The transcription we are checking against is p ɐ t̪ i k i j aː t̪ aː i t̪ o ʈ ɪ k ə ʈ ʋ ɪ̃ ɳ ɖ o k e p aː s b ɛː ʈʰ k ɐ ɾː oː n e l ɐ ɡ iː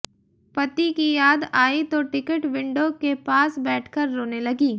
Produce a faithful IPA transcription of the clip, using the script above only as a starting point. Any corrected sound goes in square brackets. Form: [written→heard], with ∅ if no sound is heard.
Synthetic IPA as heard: p ɐ t̪ i k i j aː [t̪→d̪] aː i t̪ o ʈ ɪ k ə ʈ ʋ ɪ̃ ɳ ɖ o k e p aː s b ɛː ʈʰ k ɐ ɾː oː n e l ɐ ɡ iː

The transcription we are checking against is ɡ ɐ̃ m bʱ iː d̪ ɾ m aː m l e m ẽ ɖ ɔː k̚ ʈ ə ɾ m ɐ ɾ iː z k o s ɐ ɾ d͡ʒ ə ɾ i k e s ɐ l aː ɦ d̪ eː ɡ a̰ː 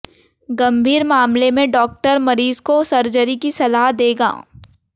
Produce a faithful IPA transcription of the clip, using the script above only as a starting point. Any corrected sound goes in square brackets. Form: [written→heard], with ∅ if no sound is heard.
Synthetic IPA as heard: ɡ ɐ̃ m bʱ iː [d̪→∅] ɾ m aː m l e m ẽ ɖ ɔː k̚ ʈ ə ɾ m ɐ ɾ iː z k o s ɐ ɾ d͡ʒ ə ɾ i k [e→i] s ɐ l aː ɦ d̪ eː ɡ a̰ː

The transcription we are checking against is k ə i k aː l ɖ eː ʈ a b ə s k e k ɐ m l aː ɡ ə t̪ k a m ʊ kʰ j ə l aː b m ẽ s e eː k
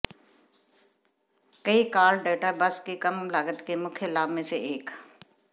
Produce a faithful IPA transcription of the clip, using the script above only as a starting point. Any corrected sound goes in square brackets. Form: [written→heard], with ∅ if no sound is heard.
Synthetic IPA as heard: k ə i k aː l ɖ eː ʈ a b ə s k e k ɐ m l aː ɡ ə t̪ k [a→e] m ʊ kʰ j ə l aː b m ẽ s e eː k

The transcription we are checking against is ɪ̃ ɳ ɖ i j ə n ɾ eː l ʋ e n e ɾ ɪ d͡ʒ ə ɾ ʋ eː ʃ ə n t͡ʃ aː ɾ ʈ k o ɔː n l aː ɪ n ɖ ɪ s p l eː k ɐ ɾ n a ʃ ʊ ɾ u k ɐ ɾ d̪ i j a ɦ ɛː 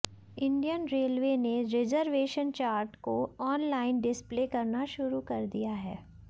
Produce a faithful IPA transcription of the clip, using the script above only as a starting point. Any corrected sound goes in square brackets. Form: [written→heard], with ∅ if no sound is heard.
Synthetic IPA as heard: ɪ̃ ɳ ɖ i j ə n ɾ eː l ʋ e n e ɾ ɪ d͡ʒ ə ɾ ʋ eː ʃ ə n t͡ʃ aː ɾ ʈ k o ɔː n l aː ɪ n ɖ ɪ s p l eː k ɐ ɾ n a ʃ ʊ ɾ u k ɐ ɾ d̪ i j a ɦ ɛː

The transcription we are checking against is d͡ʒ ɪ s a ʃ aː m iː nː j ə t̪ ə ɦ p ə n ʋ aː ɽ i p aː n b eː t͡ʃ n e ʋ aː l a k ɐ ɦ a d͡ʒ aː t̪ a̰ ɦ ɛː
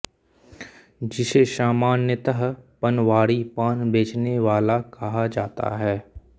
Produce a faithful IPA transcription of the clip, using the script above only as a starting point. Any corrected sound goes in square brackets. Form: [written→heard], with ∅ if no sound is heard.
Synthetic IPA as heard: d͡ʒ ɪ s [a→e] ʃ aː m [iː→aː] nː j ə t̪ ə ɦ p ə n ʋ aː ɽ i p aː n b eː t͡ʃ n e ʋ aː l a k ɐ ɦ a d͡ʒ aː t̪ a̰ ɦ ɛː

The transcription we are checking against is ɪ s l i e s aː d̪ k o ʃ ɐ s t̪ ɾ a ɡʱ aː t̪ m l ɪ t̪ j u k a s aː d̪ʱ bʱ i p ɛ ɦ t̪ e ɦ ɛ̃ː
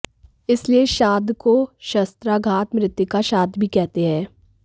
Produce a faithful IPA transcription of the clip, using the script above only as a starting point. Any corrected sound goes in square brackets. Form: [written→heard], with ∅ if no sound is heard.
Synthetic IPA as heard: ɪ s l i e [s→ʃ] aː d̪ k o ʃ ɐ s t̪ ɾ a ɡʱ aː t̪ m [l→ɾ] ɪ t̪ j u k a [s→ʃ] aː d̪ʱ bʱ i [p→k] ɛ ɦ t̪ e ɦ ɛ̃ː

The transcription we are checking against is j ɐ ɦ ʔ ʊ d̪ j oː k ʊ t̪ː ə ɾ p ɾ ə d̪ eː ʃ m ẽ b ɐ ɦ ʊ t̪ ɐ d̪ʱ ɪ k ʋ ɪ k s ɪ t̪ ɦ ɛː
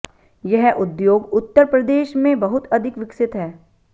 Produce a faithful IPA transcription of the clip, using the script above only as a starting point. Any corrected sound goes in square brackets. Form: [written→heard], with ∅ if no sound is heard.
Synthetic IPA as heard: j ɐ ɦ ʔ ʊ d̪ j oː [k→ɡ] ʊ t̪ː ə ɾ p ɾ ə d̪ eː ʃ m ẽ b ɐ ɦ ʊ t̪ ɐ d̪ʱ ɪ k ʋ ɪ k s ɪ t̪ ɦ ɛː

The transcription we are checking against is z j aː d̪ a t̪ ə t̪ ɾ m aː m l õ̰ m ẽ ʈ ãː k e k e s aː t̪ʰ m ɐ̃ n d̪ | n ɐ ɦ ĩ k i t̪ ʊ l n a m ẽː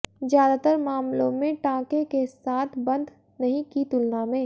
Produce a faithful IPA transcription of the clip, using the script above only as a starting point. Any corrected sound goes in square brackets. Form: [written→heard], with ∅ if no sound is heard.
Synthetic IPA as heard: z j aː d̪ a t̪ ə [t̪→∅] ɾ m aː m l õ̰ m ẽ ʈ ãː k e k e s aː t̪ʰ [m→b] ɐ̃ n d̪ | n ɐ ɦ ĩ k i t̪ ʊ l n a m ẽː

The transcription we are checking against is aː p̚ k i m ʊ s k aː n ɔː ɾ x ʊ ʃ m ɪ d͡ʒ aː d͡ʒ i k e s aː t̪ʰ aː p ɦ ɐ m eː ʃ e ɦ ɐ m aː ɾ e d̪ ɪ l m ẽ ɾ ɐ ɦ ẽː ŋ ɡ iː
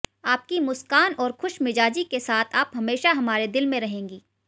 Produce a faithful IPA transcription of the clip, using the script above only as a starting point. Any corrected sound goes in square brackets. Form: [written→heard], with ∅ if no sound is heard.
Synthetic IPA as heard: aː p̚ k i m ʊ s k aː n ɔː ɾ x ʊ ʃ m ɪ d͡ʒ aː d͡ʒ i k e s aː t̪ʰ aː p ɦ ɐ m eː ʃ [e→a] ɦ ɐ m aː ɾ e d̪ ɪ l m ẽ ɾ ɐ ɦ ẽː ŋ ɡ iː

